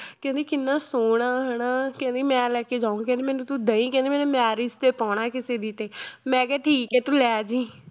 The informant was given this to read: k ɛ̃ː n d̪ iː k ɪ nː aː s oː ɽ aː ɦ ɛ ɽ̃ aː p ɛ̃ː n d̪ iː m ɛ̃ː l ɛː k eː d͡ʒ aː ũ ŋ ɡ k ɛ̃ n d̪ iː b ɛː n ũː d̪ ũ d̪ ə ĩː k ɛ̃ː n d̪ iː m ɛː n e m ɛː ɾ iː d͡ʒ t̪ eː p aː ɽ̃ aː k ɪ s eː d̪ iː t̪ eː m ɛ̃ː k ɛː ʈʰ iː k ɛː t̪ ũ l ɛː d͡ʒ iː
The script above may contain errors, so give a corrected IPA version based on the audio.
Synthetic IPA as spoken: k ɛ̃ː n d̪ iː k ɪ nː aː s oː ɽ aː ɦ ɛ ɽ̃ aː k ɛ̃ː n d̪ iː m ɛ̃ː l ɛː k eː d͡ʒ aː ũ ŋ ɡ k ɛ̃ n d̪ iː m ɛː n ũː t̪ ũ d̪ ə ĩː k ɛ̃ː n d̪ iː m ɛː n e m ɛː ɾ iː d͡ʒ t̪ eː p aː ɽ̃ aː k ɪ s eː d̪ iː t̪ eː m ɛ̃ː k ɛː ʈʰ iː k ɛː t̪ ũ l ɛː d͡ʒ iː